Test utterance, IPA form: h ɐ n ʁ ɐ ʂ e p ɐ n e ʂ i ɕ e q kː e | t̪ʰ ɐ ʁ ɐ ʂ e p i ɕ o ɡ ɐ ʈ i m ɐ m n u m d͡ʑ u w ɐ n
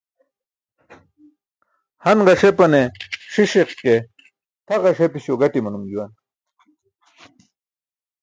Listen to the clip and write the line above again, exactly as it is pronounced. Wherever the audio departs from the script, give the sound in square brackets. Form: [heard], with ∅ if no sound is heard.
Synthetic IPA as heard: h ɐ n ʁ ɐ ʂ e p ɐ n e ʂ i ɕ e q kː e | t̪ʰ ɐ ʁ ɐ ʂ e p i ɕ o ɡ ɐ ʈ i m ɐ [∅] n u m d͡ʑ u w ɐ n